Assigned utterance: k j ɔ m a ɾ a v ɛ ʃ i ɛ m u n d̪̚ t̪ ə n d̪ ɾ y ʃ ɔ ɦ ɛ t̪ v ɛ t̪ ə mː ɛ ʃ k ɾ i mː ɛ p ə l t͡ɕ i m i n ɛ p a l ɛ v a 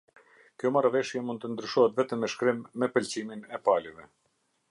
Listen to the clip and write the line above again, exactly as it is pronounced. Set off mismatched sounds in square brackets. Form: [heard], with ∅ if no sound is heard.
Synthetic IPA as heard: k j ɔ m a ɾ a v ɛ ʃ [j] ɛ m u n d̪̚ t̪ ə n d̪ ɾ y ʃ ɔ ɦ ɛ t̪ v ɛ t̪ ə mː ɛ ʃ k ɾ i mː ɛ p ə l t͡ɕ i m i n ɛ p a l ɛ v [ɛ]